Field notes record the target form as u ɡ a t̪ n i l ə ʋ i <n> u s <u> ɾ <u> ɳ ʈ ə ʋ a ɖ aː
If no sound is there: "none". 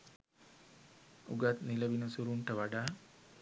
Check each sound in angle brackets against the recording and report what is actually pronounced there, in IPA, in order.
n, u, u

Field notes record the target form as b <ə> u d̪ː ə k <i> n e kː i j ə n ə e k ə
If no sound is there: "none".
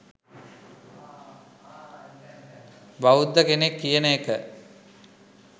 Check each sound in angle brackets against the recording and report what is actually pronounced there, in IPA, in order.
a, e

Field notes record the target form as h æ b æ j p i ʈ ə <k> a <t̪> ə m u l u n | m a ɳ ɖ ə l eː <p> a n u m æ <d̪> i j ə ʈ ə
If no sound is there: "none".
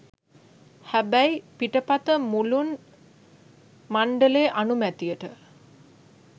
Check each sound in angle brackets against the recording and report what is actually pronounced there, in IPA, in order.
p, t̪, ʔ, t̪

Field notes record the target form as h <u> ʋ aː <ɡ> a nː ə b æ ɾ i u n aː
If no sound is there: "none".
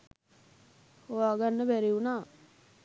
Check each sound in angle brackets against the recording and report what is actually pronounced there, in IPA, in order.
o, ɡ

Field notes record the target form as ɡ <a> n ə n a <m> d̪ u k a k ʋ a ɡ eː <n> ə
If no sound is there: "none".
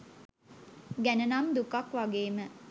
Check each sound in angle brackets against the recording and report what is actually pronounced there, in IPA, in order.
æ, m, m

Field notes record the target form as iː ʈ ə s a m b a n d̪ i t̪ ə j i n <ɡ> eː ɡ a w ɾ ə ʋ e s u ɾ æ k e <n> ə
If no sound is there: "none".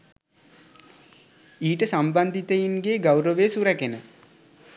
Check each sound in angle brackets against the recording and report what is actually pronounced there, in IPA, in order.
ɡ, n

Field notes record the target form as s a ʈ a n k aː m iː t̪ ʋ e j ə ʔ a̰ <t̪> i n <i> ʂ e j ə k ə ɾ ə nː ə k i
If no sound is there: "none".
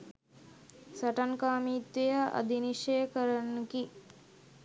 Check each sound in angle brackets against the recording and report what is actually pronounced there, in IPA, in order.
d̪, i

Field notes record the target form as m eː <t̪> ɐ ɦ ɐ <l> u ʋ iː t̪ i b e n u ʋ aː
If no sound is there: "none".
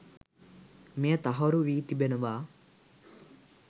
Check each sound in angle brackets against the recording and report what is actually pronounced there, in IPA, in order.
t̪, ɾ

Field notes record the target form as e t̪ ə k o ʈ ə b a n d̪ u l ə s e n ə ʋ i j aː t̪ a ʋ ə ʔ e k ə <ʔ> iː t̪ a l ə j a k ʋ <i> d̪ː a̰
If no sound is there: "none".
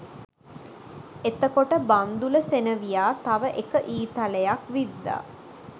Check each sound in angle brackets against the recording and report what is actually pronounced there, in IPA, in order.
ʔ, i

